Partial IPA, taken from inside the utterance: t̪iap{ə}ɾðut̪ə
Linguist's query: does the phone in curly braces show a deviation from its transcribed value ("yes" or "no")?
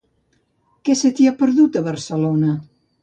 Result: no